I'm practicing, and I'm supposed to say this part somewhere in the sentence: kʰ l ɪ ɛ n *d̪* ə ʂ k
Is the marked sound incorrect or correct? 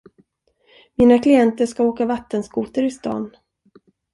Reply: incorrect: t̪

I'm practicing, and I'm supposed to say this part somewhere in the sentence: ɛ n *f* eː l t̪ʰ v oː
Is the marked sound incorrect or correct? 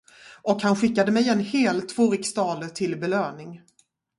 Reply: incorrect: h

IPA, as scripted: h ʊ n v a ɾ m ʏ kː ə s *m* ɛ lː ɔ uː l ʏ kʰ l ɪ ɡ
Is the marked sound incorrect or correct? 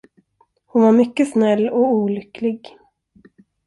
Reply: incorrect: n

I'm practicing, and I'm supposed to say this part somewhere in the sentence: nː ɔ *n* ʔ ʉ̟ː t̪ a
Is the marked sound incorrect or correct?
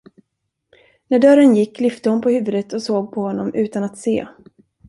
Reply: incorrect: m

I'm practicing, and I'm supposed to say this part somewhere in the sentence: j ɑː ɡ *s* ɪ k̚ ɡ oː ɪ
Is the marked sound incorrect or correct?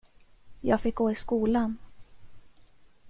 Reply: incorrect: f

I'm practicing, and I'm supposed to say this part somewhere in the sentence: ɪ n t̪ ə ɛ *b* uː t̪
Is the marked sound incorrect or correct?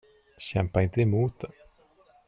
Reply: incorrect: m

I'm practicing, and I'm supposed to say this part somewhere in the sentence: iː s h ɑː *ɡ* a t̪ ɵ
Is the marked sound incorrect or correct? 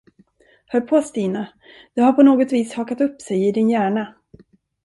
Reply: incorrect: k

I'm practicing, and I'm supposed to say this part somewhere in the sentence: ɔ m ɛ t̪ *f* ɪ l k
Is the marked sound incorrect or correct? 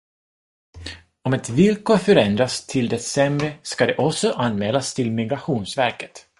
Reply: incorrect: v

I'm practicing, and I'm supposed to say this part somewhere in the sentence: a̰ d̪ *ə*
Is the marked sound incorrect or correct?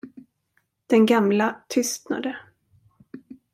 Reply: correct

